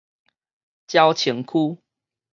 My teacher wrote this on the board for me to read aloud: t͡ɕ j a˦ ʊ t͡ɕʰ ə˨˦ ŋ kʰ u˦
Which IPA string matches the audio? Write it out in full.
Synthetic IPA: t͡ɕ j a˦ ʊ t͡ɕʰ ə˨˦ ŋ kʰ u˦